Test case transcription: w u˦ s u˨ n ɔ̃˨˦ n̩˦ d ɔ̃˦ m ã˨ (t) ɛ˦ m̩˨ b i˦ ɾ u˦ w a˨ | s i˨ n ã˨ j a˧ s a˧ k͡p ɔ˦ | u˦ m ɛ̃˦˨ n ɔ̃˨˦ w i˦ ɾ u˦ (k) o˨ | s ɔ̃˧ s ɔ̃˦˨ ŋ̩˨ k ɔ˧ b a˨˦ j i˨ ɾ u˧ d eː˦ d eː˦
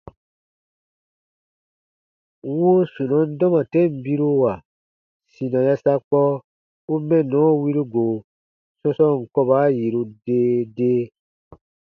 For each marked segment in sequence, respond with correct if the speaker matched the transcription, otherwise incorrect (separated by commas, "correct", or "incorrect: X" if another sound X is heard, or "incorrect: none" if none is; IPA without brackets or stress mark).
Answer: correct, incorrect: ɡ